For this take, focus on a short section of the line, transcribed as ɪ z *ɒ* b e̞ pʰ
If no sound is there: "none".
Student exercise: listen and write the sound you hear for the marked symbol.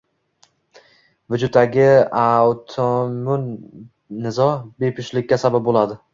ɒ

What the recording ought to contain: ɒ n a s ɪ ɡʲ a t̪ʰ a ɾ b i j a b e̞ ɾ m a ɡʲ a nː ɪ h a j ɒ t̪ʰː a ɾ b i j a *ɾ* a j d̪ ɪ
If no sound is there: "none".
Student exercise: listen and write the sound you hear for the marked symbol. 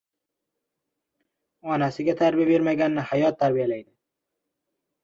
l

